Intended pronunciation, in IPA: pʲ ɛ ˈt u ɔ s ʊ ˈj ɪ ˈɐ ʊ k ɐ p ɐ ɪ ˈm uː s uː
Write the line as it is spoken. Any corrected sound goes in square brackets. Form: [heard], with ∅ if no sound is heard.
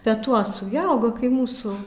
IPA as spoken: pʲ ɛ ˈt u ɔ s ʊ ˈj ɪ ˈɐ ʊ [ɡ] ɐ [k] ɐ ɪ ˈm uː s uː